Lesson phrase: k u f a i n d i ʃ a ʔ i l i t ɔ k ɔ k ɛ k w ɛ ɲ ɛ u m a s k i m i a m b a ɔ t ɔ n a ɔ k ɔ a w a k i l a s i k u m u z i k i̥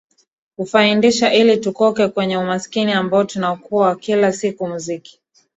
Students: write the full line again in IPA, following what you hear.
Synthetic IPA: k u f a i n d i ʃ a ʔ i l i t u k ɔ k ɛ k w ɛ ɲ ɛ u m a s k i n i a m b a ɔ t u n a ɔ k u a w a k i l a s i k u m u z i k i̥